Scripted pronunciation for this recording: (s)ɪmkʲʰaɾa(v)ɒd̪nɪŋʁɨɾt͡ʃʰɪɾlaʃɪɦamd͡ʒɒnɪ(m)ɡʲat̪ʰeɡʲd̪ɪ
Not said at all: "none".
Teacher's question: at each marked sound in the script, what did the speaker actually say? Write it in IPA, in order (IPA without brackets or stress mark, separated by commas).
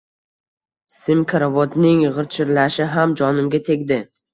s, v, m